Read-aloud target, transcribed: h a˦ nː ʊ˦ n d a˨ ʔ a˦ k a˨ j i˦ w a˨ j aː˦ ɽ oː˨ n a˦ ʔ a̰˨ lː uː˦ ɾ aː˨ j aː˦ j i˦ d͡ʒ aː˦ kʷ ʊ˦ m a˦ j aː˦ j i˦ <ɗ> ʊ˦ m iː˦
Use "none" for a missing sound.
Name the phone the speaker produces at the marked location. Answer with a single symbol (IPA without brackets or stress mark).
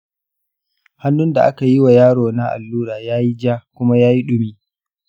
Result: ɗ